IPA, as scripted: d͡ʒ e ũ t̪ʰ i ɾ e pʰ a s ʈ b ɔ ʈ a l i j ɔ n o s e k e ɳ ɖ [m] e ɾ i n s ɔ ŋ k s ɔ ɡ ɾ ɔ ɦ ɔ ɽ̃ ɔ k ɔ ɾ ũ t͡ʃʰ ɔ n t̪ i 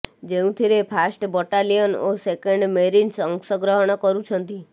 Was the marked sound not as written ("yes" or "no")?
no